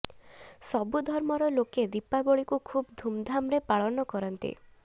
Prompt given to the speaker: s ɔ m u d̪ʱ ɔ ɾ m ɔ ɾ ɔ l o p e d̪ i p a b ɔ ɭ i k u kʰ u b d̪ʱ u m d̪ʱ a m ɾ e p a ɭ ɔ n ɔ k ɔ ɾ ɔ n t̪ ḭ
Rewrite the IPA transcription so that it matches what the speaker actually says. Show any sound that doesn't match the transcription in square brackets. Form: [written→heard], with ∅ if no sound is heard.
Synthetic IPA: s ɔ [m→b] u d̪ʱ ɔ ɾ m ɔ ɾ ɔ l o [p→k] e d̪ i p a b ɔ ɭ i k u kʰ u b d̪ʱ u m d̪ʱ a m ɾ e p a ɭ ɔ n ɔ k ɔ ɾ ɔ n t̪ ḭ

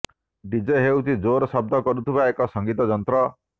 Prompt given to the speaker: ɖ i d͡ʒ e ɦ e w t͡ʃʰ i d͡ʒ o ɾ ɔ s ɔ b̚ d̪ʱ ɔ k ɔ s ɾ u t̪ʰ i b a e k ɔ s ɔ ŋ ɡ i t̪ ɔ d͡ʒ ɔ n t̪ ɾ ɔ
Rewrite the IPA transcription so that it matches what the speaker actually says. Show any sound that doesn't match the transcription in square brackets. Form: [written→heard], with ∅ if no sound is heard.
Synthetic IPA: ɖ i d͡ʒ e ɦ e w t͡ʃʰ i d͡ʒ o ɾ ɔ s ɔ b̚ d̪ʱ ɔ k ɔ [s→∅] ɾ u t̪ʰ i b a e k ɔ s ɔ ŋ ɡ i t̪ ɔ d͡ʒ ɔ n t̪ ɾ ɔ

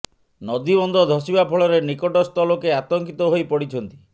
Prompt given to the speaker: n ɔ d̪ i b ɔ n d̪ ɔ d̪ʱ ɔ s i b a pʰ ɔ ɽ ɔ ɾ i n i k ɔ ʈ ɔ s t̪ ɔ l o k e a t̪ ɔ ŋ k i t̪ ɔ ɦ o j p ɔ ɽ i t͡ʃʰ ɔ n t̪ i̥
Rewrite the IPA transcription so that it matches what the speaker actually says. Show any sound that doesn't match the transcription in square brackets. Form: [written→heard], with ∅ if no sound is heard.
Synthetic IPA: n ɔ d̪ i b ɔ n d̪ ɔ d̪ʱ ɔ s i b a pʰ ɔ [ɽ→ɭ] ɔ ɾ [i→e] n i k ɔ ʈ ɔ s t̪ ɔ l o k e a t̪ ɔ ŋ k i t̪ ɔ ɦ o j p ɔ ɽ i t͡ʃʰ ɔ n t̪ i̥

